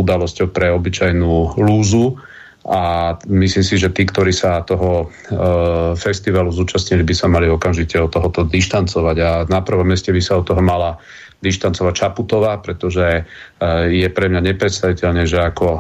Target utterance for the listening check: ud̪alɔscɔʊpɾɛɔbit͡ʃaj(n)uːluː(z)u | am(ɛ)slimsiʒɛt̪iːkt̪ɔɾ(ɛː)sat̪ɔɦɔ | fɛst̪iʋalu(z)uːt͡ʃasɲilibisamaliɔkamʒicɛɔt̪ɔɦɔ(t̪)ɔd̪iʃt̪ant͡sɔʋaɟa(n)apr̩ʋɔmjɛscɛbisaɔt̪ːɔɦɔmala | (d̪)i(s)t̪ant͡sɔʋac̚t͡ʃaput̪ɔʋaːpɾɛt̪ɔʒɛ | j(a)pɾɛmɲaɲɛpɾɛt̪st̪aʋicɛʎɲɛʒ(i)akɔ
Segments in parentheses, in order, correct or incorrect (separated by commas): correct, correct, incorrect, incorrect, correct, correct, correct, correct, incorrect, incorrect, incorrect